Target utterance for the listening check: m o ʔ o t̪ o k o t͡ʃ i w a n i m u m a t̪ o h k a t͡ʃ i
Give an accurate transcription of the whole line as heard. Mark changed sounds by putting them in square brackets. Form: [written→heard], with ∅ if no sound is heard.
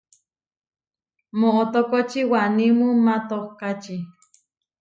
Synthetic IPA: m o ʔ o t̪ o k o t͡ʃ i w a n i m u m a t̪ o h k a t͡ʃ i

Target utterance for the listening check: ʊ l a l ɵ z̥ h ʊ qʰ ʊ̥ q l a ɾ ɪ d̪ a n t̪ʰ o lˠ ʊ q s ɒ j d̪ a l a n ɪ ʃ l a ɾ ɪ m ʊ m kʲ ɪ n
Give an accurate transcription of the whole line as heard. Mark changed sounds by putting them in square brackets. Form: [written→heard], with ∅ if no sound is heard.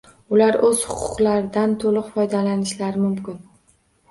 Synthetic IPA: ʊ l a [l→ɾ] ɵ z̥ h ʊ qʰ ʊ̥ q l a ɾ ɪ d̪ a n t̪ʰ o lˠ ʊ q [s→f] ɒ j d̪ a l a n ɪ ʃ l a ɾ ɪ m ʊ m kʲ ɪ n

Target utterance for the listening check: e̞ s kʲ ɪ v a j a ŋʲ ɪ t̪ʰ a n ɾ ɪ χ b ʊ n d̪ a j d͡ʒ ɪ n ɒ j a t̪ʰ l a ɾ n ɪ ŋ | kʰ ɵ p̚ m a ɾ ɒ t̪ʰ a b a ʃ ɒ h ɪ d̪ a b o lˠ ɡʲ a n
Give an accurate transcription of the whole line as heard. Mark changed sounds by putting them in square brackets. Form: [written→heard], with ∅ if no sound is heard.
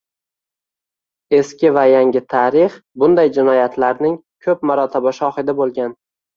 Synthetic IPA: e̞ s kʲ ɪ v a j a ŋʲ ɪ t̪ʰ a [n→∅] ɾ ɪ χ b ʊ n d̪ a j d͡ʒ ɪ n ɒ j a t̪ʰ l a ɾ n ɪ ŋ | kʰ ɵ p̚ m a ɾ ɒ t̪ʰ a b a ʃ ɒ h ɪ d̪ a b o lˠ ɡʲ a n

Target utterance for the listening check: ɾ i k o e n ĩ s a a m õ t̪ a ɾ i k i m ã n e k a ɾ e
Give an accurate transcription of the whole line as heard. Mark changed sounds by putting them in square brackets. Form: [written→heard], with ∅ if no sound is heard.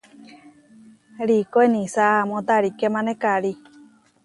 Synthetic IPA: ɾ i k o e n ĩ s a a m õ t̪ a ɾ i k [i→e] m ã n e k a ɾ [e→i]

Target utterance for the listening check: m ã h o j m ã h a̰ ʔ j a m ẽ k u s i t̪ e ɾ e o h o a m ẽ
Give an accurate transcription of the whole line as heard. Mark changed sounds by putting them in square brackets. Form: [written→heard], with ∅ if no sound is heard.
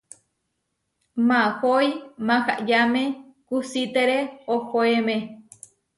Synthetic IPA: m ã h o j m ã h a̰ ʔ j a m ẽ k u s i t̪ e ɾ e o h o [a→e] m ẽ

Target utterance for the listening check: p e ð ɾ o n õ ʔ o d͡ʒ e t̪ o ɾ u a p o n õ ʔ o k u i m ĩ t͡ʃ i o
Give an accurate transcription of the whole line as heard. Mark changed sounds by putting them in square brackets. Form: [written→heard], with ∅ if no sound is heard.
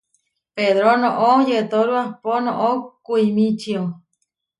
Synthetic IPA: p e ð ɾ o n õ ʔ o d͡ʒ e t̪ o ɾ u a p o n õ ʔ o k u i m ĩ t͡ʃ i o

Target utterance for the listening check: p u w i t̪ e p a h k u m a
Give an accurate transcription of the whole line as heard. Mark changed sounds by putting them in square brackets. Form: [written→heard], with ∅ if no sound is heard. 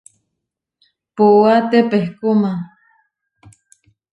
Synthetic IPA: p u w [i→a] t̪ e p [a→e] h k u m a

